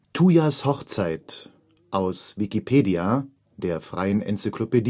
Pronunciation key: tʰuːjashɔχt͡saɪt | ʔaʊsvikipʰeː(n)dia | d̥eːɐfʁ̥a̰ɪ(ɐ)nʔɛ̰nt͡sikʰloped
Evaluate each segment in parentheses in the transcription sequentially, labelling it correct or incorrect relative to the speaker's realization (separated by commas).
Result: incorrect, incorrect